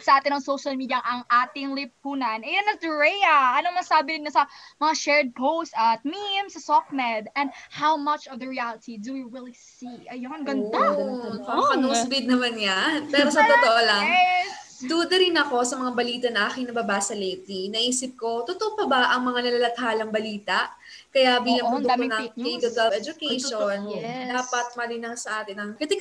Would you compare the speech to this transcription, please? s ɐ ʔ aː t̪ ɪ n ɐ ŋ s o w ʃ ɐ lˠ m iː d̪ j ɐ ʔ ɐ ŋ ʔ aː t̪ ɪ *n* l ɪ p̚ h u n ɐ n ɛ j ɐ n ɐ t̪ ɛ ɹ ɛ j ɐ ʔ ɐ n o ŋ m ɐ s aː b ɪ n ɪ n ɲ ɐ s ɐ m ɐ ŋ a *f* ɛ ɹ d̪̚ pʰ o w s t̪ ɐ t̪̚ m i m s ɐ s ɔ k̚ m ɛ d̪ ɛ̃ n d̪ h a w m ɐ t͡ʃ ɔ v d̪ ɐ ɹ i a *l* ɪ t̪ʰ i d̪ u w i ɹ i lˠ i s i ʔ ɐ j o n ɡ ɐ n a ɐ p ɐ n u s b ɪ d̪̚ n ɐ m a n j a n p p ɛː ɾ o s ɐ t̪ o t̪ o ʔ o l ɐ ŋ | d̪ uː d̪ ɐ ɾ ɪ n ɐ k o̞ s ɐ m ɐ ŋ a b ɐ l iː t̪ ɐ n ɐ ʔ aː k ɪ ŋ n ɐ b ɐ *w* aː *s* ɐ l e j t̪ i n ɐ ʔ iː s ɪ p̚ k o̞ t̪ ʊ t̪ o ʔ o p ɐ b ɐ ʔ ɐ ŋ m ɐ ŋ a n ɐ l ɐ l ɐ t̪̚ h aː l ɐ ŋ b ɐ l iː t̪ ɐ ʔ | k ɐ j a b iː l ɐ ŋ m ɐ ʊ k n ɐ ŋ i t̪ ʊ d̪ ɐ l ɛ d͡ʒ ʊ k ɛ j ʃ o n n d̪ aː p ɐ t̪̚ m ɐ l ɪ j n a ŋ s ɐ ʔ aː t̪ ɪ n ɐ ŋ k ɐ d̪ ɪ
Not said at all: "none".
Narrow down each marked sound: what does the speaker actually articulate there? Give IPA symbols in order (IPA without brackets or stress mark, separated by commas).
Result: ŋ, ʃ, l, b, s